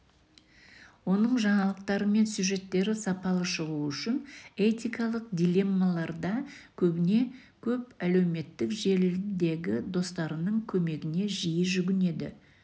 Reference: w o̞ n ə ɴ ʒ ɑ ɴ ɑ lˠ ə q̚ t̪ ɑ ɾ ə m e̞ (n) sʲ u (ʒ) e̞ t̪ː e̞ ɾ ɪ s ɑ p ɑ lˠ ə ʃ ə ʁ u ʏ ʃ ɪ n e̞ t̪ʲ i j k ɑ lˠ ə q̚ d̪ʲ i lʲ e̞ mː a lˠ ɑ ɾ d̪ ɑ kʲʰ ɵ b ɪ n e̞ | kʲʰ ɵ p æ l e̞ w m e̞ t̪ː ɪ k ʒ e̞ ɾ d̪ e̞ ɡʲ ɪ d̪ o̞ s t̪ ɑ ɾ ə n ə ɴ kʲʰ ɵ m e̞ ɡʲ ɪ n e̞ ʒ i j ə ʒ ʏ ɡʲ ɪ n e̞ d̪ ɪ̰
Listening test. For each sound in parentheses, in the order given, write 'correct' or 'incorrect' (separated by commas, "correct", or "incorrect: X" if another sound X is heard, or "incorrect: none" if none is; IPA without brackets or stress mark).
correct, correct